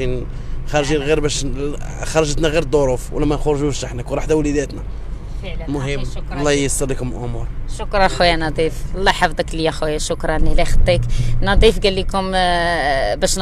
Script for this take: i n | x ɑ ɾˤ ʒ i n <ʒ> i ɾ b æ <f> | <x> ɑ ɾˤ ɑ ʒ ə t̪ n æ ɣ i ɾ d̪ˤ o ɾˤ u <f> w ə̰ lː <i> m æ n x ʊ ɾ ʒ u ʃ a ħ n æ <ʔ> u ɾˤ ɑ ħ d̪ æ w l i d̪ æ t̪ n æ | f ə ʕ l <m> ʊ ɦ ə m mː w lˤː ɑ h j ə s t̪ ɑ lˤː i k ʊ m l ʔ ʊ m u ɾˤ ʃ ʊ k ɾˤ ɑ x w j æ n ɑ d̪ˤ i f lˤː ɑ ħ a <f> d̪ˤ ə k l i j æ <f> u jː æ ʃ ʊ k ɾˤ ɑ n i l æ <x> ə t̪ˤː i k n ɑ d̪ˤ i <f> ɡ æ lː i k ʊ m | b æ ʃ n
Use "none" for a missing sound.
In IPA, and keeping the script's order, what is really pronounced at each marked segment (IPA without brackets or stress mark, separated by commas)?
ɣ, ʃ, x, f, æ, k, m, f, x, x, f